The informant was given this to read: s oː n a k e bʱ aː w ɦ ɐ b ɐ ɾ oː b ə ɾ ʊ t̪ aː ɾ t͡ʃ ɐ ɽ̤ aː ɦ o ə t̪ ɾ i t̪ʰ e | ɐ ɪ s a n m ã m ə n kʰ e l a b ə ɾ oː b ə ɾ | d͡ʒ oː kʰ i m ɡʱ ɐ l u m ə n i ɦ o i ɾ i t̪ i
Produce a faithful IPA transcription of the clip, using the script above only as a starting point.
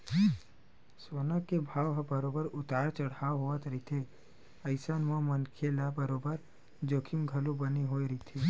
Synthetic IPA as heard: s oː n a k e bʱ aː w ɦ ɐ b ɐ ɾ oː b ə ɾ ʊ t̪ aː ɾ t͡ʃ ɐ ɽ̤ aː ɦ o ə t̪ ɾ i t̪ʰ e | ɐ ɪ s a n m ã m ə n kʰ e l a b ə ɾ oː b ə ɾ | d͡ʒ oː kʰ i m ɡʱ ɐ l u b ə n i ɦ o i ɾ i t̪ʰ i